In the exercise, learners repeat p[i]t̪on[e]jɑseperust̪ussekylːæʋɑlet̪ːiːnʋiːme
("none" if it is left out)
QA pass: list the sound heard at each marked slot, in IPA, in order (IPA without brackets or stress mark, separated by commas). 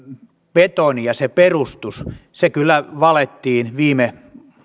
e, i